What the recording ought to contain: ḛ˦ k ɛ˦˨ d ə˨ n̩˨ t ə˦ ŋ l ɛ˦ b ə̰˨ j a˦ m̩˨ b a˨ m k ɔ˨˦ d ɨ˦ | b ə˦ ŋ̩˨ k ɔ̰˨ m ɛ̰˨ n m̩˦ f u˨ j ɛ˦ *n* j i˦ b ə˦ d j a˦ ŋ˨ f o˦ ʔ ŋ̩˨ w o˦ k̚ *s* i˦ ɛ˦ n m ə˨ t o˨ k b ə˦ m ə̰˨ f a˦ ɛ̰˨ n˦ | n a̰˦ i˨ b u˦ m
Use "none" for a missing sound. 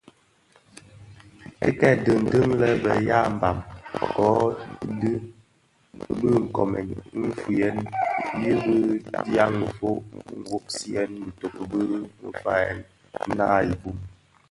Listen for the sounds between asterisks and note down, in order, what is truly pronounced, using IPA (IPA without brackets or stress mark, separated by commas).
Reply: n, s